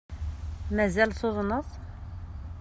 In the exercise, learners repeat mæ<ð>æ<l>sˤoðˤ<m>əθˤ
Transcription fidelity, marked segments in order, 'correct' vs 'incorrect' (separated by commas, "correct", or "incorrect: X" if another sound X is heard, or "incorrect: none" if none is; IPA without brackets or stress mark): incorrect: z, correct, incorrect: n